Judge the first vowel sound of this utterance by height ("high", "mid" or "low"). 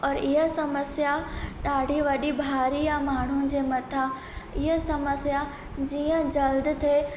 mid